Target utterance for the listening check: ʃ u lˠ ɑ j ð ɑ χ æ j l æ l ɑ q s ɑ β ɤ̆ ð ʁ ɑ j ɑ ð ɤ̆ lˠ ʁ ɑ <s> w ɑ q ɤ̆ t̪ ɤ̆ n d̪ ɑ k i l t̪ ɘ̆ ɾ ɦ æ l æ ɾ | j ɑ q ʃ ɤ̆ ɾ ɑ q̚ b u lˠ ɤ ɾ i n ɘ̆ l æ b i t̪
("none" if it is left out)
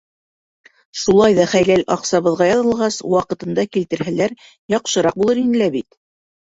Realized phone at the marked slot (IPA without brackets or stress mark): s